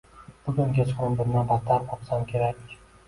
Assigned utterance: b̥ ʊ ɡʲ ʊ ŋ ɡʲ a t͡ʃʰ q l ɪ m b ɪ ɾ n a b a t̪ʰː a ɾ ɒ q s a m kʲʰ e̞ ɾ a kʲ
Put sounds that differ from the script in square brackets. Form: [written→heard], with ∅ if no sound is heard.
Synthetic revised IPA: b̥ ʊ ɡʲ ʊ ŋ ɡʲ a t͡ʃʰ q [l→ɾ] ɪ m b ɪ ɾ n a b a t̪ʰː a ɾ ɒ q s a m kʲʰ e̞ ɾ a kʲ